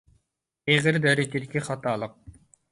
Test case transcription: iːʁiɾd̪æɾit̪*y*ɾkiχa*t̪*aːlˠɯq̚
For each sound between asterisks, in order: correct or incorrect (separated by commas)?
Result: incorrect, correct